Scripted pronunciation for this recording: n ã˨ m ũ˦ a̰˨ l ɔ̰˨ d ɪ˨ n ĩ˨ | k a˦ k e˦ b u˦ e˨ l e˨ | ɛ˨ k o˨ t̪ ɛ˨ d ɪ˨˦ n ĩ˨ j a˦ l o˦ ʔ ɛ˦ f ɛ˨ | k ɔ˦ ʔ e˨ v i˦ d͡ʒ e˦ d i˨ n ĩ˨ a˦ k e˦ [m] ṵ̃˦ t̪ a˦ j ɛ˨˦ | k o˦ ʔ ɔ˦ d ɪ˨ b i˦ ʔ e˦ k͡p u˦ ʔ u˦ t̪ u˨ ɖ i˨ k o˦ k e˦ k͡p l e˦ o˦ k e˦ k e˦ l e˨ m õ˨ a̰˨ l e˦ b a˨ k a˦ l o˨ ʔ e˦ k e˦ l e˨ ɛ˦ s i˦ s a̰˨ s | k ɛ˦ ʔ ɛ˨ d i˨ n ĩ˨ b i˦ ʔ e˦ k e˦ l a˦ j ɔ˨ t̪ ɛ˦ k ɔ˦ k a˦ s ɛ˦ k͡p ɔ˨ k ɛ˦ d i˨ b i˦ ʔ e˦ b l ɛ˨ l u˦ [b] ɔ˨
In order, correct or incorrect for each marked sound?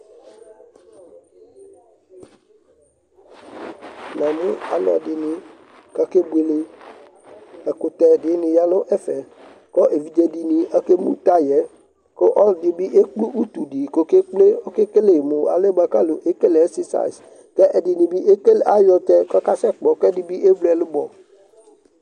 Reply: correct, correct

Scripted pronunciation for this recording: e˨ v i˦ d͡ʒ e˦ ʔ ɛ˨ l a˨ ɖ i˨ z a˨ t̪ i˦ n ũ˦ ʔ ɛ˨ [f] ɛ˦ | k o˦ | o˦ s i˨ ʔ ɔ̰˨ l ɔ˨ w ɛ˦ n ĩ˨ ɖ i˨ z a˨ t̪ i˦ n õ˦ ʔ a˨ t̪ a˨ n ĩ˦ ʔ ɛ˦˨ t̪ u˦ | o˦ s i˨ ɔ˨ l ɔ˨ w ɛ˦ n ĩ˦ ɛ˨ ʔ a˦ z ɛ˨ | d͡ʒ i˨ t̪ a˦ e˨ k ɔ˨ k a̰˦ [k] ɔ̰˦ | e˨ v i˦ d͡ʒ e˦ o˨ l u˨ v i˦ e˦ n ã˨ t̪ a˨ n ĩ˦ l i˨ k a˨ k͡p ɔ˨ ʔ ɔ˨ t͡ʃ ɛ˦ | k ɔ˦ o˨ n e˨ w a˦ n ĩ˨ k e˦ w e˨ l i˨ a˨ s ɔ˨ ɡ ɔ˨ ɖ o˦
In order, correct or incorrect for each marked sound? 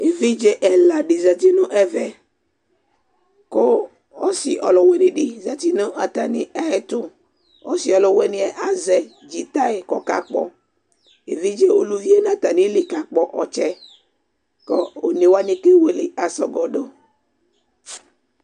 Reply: incorrect: v, incorrect: k͡p

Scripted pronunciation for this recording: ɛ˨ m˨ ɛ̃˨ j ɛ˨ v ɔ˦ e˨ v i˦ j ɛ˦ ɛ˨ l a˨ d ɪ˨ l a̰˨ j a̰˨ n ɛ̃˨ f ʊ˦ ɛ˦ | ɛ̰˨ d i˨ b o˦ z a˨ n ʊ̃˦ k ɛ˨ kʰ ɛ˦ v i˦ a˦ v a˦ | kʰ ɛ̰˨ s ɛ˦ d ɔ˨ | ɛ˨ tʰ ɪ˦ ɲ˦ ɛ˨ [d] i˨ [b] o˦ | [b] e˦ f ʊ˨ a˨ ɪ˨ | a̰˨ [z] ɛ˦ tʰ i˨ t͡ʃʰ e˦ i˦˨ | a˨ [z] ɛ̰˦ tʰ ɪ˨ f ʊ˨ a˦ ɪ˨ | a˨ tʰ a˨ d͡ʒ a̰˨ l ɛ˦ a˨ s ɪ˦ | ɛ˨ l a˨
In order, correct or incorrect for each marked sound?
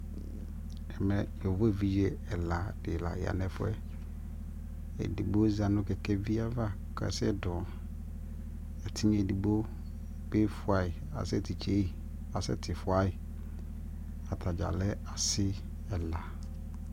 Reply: correct, correct, correct, incorrect: s, incorrect: s

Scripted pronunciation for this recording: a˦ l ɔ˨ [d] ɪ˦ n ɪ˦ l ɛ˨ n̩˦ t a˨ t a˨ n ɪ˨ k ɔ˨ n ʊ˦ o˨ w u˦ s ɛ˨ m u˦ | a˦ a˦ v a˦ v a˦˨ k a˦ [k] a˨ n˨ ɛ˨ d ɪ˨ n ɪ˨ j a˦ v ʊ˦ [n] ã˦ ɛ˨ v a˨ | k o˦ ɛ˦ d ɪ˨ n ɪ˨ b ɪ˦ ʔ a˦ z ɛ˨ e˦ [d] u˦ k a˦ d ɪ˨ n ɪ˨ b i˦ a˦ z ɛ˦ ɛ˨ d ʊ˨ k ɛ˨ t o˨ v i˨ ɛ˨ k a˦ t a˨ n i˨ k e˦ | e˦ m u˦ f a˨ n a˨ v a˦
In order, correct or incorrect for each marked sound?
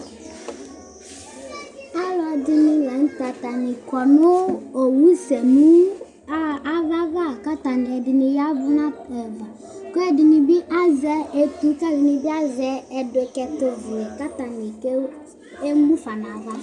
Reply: correct, incorrect: t, correct, incorrect: t

